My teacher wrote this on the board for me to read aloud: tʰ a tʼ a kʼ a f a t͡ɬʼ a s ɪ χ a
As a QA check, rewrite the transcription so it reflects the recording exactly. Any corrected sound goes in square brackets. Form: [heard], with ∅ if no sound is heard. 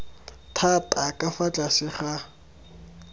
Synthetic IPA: tʰ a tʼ a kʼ a f a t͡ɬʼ a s ɪ χ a